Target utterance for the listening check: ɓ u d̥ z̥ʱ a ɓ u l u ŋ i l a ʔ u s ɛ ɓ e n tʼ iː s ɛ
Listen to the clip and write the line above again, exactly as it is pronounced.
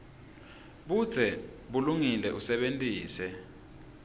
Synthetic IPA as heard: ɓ u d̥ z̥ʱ ɛ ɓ u l u ŋ i l ɛ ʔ u s ɛ ɓ e n tʼ iː s ɛ

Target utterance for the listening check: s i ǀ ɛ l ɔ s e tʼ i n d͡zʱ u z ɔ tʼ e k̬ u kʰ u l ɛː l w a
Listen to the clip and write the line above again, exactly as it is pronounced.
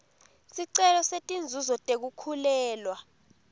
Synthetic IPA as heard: s i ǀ ɛ l ɔ s e tʼ i n d͡zʱ u z ɔ tʼ e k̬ u kʰ u l ɛː l w a

